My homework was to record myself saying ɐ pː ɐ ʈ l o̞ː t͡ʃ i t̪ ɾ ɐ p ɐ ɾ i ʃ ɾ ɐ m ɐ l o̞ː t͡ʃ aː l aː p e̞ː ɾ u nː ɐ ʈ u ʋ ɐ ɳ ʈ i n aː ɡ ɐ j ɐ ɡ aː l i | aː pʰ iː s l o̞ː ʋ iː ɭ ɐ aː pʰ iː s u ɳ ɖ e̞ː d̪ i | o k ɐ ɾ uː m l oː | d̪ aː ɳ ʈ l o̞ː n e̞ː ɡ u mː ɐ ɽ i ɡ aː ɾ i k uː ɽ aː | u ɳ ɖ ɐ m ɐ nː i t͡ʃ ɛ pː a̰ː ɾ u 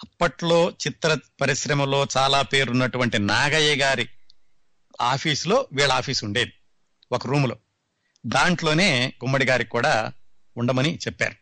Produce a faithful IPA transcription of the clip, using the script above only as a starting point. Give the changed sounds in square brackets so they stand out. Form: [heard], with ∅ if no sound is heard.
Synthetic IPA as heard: ɐ pː ɐ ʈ l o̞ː t͡ʃ i t̪ ɾ ɐ p ɐ ɾ i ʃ ɾ ɐ m ɐ l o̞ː t͡ʃ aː l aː p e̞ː ɾ u nː ɐ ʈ u ʋ ɐ ɳ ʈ i n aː ɡ ɐ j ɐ ɡ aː [ɾ] i | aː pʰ iː s l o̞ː ʋ iː ɭ ɐ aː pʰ iː s u ɳ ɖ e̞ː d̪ i | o k ɐ ɾ uː m l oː | d̪ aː ɳ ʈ l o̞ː n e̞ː ɡ u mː ɐ ɽ i ɡ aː ɾ i k uː ɽ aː | u ɳ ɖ ɐ m ɐ [n] i t͡ʃ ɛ pː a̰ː ɾ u